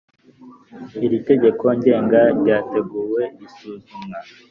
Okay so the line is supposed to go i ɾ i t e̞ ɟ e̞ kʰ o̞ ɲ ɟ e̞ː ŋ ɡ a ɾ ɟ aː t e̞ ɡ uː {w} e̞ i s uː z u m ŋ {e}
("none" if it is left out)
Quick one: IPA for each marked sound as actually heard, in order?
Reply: w, a

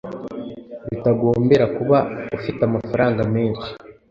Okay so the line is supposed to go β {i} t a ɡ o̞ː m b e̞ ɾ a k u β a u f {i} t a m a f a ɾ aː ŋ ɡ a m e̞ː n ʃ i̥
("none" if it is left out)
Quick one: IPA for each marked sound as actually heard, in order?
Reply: i, i

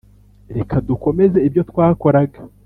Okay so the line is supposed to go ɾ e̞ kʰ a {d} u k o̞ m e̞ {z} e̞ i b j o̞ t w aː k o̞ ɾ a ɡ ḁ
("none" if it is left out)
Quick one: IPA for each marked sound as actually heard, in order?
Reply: d, z

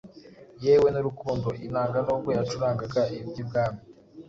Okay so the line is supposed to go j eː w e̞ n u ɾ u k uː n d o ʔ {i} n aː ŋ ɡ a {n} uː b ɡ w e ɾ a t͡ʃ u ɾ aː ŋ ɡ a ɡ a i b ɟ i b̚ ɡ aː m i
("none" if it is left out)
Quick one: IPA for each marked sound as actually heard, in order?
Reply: i, n

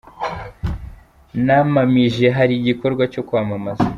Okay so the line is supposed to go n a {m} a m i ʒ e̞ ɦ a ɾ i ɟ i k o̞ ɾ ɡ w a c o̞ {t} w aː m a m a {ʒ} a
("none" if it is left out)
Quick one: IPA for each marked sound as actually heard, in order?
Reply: m, k, z

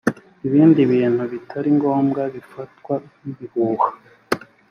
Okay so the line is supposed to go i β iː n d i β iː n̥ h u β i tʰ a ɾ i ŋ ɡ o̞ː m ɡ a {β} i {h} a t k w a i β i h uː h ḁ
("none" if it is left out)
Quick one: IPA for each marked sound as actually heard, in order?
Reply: β, f

